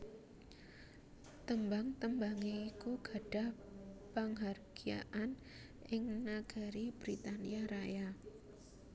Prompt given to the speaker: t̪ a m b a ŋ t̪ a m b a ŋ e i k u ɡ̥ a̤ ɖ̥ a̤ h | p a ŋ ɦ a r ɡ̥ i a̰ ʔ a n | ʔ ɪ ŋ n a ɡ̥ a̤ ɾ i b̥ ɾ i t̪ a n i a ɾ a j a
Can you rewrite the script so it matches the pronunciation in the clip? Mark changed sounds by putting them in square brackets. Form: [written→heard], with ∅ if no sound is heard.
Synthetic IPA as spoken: t̪ [a→ə] m b a ŋ t̪ [a→ə] m b a ŋ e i k u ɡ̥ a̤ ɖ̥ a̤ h | p a ŋ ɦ a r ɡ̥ i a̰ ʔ a n | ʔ ɪ ŋ n a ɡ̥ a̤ ɾ i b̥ ɾ i t̪ a n i a ɾ a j a